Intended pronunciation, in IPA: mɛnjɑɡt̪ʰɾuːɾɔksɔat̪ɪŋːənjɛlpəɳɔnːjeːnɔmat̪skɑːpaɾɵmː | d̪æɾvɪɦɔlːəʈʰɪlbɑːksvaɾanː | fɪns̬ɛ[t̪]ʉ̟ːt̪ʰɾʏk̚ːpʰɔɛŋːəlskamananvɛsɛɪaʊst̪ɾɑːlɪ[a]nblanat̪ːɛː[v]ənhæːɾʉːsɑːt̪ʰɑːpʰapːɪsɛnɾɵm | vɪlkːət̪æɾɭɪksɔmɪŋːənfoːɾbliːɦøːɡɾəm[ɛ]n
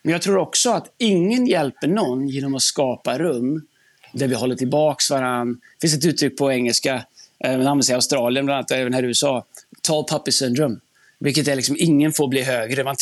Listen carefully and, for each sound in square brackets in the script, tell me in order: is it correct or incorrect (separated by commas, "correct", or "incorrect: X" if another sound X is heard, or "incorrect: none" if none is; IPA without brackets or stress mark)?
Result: correct, incorrect: ə, correct, incorrect: a